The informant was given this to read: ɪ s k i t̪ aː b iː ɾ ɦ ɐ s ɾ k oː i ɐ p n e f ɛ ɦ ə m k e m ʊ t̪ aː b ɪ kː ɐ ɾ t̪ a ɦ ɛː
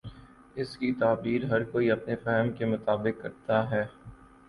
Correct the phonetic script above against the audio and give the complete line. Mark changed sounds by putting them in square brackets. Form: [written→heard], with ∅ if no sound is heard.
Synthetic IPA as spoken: ɪ s k i t̪ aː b iː ɾ ɦ ɐ [s→∅] ɾ k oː i ɐ p n e f ɛ ɦ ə m k e m ʊ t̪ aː b ɪ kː ɐ ɾ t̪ a ɦ ɛː